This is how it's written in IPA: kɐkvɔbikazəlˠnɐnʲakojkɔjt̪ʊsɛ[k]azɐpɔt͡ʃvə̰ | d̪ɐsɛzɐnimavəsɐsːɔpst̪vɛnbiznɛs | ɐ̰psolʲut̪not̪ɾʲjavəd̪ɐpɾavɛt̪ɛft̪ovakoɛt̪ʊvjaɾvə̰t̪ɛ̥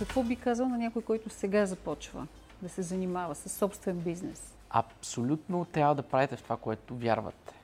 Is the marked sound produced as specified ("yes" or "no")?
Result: no